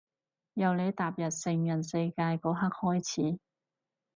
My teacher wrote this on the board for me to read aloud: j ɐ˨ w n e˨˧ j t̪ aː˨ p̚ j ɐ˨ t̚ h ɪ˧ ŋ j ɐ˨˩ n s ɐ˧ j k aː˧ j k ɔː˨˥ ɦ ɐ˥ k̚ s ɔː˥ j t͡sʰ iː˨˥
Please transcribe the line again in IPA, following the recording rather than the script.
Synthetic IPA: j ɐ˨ w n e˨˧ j t̪ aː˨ p̚ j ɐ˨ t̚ s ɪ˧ ŋ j ɐ˨˩ n s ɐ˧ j k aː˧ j k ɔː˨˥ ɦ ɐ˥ k̚ h ɔː˥ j t͡sʰ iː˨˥

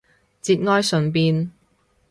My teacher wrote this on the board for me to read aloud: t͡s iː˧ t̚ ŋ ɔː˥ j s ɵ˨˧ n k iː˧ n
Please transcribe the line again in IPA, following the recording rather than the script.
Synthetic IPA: t͡s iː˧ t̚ ŋ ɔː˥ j s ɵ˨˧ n p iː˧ n

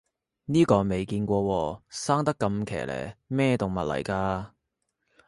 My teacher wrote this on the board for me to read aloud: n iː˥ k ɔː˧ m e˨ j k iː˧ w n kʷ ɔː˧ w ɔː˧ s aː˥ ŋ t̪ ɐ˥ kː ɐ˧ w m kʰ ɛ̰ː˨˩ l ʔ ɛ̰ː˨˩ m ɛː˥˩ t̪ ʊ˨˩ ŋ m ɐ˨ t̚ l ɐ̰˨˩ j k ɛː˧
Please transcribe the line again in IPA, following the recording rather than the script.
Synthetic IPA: n iː˥ k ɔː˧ m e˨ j k iː˧ n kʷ ɔː˧ w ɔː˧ s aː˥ ŋ t̪ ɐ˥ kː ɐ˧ m kʰ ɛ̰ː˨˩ l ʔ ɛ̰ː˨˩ m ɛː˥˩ t̪ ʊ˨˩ ŋ m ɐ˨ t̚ l ɐ̰˨˩ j k aː˧

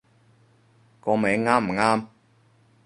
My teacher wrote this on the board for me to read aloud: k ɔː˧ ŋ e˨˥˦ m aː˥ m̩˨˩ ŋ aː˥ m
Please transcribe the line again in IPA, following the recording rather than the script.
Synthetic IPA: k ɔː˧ m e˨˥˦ ŋ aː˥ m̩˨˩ ŋ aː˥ m

